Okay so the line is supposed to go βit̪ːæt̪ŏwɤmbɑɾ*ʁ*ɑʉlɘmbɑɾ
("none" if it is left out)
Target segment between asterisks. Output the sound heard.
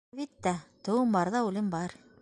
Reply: ð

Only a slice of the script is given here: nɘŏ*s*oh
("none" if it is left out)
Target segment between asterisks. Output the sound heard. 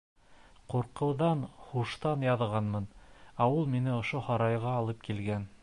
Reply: ʃ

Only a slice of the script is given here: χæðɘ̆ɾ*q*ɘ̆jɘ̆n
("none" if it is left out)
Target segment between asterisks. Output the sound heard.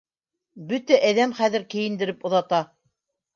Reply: k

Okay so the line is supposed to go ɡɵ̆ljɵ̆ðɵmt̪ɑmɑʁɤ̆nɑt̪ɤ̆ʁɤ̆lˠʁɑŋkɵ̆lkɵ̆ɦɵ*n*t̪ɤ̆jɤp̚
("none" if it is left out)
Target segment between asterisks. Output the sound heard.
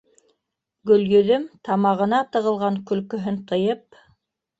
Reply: n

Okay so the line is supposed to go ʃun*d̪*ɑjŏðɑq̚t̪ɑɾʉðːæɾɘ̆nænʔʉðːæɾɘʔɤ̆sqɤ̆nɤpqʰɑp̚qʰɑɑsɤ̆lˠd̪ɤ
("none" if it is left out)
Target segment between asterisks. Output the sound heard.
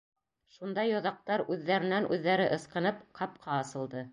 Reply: d̪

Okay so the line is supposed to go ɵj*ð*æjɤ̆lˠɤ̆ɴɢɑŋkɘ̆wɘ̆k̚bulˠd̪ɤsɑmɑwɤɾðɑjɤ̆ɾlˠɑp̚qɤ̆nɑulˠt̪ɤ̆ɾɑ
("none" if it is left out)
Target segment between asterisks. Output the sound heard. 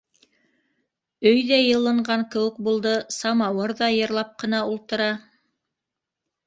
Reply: ð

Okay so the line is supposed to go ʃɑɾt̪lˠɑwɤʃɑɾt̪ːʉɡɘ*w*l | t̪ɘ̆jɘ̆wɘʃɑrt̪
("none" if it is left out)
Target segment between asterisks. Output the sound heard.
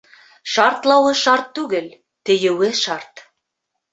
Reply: none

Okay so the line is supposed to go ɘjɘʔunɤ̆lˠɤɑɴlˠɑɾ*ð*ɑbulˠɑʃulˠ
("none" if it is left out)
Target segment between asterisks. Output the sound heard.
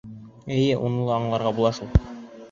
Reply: ʁ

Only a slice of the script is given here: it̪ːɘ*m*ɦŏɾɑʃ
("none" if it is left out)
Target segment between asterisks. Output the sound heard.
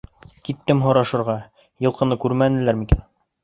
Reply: m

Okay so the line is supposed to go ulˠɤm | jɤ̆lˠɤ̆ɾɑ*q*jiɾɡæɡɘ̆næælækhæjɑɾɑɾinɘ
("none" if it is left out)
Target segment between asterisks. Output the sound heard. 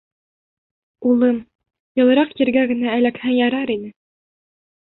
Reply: q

